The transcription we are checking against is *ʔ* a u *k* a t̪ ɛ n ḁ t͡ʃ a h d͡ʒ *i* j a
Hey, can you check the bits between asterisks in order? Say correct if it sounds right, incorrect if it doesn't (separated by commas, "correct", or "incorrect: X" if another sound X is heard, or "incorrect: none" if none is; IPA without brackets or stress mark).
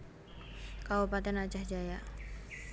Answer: incorrect: k, incorrect: p, incorrect: a